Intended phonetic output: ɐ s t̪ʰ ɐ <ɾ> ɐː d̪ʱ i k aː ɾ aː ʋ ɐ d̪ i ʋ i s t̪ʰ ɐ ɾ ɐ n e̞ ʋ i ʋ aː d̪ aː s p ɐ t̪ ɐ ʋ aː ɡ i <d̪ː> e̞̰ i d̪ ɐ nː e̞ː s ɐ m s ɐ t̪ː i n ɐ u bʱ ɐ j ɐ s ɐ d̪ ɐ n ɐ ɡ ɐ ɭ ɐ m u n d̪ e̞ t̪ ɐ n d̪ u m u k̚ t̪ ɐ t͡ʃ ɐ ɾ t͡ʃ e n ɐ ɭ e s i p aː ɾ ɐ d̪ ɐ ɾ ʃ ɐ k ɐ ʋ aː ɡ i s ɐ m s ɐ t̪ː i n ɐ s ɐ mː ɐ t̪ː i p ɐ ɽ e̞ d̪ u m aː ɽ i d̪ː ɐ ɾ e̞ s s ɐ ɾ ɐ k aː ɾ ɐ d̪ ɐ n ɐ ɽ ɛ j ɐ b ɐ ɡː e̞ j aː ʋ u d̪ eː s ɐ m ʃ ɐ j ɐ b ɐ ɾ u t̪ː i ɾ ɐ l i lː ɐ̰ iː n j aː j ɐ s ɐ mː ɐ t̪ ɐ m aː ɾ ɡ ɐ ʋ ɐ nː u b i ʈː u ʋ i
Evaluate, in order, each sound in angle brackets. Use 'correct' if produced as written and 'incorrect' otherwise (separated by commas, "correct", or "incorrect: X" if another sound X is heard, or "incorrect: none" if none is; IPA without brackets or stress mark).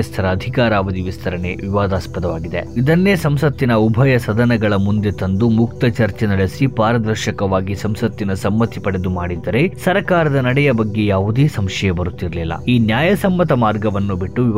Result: correct, incorrect: d̪